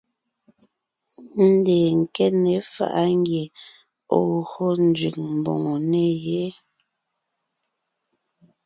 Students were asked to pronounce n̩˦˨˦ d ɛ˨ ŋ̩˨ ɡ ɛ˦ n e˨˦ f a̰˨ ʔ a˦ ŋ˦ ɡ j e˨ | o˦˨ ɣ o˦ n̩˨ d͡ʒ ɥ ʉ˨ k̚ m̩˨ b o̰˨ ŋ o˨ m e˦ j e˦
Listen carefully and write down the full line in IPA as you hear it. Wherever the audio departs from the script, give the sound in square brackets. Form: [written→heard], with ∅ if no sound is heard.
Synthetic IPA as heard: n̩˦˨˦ d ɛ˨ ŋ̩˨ [ɡ→k] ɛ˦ n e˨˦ f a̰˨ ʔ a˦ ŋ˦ ɡ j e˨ | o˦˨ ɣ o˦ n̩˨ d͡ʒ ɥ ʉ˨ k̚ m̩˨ b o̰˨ ŋ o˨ [m→n] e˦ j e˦